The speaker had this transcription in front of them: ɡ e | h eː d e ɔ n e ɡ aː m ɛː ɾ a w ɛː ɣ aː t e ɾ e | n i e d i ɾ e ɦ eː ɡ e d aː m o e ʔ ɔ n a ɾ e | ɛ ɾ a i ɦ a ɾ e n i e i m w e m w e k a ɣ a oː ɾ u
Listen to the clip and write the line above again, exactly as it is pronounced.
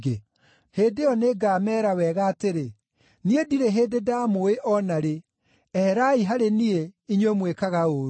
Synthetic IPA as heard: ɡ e | h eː d e ɔ n e ɡ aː m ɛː ɾ a w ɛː ɣ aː t e ɾ e | n i e d i ɾ e ɦ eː d e d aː m o e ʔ ɔ n a ɾ e | ɛ ɾ a i ɦ a ɾ e n i e i ɲ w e m w e k a ɣ a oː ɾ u